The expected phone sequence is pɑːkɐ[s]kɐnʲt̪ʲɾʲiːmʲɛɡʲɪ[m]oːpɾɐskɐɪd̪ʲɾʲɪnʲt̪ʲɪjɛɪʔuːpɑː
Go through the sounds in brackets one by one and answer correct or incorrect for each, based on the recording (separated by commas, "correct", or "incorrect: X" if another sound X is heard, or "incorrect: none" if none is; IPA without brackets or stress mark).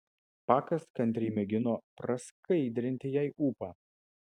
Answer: correct, incorrect: n